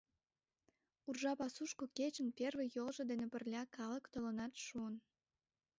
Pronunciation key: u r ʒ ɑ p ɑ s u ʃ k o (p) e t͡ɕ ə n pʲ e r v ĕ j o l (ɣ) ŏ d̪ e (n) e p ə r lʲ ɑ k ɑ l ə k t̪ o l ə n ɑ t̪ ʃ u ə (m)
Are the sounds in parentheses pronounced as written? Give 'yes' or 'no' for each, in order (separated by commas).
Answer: no, no, yes, no